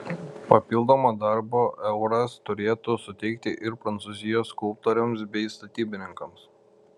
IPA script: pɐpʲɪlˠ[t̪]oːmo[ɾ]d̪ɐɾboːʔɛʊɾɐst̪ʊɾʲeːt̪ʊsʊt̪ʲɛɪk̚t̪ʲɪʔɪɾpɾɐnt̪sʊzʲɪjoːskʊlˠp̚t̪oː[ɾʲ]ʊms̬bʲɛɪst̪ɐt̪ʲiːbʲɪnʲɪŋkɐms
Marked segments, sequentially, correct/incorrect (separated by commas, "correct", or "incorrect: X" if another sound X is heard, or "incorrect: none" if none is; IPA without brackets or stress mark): incorrect: d̪, incorrect: none, correct